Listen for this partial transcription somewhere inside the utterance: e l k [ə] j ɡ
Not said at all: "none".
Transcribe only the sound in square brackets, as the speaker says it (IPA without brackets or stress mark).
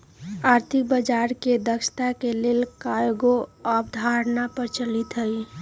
a